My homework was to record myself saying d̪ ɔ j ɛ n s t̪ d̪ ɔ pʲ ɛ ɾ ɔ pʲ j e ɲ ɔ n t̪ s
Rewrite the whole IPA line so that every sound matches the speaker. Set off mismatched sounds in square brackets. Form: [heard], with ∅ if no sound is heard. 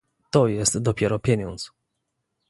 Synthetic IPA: [t̪] ɔ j ɛ [∅] s t̪ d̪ ɔ pʲ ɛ ɾ ɔ pʲ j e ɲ ɔ n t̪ s